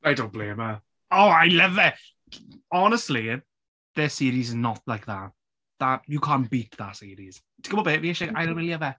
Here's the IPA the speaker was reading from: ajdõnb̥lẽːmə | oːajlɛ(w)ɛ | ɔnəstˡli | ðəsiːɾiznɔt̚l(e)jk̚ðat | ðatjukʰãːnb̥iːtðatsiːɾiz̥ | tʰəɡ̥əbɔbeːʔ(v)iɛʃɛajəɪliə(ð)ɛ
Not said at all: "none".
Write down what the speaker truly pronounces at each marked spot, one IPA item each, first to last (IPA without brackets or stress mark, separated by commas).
v, a, v, v